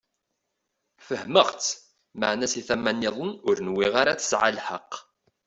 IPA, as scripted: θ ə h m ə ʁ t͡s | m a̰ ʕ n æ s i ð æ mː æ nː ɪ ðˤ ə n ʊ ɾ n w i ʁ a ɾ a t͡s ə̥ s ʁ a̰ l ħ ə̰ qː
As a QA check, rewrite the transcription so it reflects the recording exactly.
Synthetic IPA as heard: f ə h m ə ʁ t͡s | m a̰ ʕ n æ s i θ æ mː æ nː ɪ ðˤ ə n ʊ ɾ n w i ʁ a ɾ a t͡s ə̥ s ʕ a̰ l ħ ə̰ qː